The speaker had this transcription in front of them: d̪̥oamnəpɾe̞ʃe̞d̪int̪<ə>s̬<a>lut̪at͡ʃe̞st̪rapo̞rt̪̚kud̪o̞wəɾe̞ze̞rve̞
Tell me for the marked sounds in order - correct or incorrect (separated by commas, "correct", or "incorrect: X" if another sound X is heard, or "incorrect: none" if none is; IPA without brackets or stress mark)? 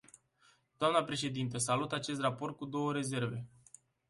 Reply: correct, correct